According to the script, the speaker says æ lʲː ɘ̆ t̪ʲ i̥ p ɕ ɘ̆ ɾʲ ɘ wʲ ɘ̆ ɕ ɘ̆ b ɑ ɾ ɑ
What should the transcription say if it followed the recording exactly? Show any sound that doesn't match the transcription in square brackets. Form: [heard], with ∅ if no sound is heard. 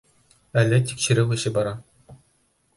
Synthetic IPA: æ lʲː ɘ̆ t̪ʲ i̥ [k] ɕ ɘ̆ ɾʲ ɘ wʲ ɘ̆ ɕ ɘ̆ b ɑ ɾ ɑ